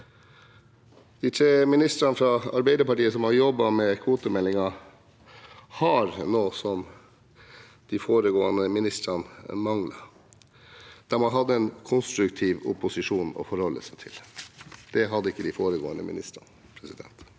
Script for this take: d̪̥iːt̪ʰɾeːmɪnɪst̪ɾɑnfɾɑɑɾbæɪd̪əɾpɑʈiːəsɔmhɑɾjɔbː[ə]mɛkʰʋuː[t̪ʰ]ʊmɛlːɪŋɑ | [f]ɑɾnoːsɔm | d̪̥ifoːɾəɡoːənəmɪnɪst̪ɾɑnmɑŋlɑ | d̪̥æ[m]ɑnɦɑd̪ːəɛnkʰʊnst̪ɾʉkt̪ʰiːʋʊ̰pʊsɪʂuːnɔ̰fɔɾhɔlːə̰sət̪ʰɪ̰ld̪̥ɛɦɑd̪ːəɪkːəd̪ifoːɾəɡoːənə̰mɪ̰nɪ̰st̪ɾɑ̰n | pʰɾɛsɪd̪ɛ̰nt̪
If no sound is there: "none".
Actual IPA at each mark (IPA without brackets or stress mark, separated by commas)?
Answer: ɑ, t̪, h, m